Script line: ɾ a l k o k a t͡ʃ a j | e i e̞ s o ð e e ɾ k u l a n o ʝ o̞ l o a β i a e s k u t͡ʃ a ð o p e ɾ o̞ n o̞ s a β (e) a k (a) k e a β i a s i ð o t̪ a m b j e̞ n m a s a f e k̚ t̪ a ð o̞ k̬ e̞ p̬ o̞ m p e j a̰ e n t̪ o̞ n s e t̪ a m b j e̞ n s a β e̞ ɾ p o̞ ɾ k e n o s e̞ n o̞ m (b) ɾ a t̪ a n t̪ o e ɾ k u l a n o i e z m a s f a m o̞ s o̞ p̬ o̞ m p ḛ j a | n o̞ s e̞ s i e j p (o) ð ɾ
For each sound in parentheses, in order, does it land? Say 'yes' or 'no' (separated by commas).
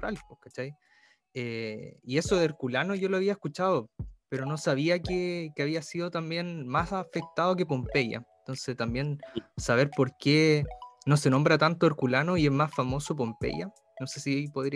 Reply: no, no, yes, yes